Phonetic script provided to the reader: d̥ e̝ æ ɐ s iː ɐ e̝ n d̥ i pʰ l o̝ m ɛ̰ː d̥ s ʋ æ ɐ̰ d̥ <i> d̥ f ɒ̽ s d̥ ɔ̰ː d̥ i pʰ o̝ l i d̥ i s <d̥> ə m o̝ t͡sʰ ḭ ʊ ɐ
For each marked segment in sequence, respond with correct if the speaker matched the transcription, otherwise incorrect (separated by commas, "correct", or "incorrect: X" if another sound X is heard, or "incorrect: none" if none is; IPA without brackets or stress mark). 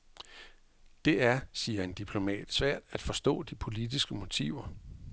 incorrect: æ, incorrect: ɡ̥